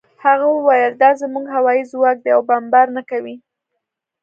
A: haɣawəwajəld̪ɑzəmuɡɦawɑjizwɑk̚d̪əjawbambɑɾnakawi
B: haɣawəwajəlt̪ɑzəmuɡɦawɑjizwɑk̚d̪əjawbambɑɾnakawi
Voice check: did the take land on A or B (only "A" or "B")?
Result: A